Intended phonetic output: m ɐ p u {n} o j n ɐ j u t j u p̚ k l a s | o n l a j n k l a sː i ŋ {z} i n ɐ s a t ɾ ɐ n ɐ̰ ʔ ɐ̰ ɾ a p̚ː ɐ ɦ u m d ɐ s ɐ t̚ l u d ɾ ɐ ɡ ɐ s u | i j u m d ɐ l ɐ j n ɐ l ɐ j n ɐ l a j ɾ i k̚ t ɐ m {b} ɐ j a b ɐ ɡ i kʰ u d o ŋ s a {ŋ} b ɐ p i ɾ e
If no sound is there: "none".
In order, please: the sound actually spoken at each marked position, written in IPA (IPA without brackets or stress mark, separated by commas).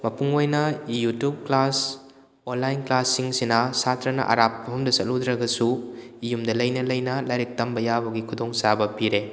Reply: ŋ, s, b, none